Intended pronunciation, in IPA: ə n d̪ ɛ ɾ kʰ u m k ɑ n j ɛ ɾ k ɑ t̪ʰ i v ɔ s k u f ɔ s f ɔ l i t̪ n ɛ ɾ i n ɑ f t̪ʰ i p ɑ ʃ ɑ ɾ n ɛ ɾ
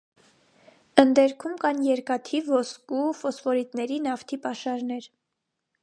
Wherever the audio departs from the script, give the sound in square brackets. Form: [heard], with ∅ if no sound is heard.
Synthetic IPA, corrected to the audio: ə n d̪ ɛ ɾ kʰ u m k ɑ n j ɛ ɾ k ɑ t̪ʰ i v ɔ s k u f ɔ s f ɔ [ɾ] i t̪ n ɛ ɾ i n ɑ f t̪ʰ i p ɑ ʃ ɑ ɾ n ɛ ɾ